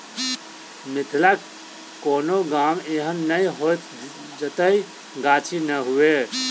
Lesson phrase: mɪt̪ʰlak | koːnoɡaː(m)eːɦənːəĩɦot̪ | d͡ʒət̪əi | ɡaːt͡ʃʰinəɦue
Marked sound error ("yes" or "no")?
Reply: no